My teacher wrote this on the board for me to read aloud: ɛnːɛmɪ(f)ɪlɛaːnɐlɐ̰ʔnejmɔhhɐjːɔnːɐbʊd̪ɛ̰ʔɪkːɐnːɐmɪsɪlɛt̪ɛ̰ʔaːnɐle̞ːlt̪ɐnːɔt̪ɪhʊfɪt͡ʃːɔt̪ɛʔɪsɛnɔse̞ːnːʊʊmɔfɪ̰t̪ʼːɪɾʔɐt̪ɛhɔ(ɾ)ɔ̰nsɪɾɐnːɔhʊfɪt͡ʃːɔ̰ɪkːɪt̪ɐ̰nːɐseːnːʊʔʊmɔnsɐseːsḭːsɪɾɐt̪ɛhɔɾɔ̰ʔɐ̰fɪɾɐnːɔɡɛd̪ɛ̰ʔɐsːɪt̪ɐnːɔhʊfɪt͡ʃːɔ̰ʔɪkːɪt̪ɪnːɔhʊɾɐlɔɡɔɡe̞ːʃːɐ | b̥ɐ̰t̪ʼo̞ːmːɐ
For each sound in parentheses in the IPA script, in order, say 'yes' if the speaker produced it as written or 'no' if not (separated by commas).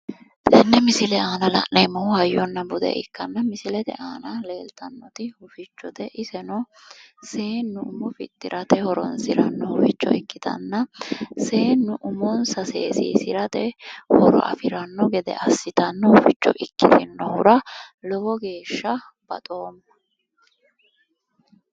no, yes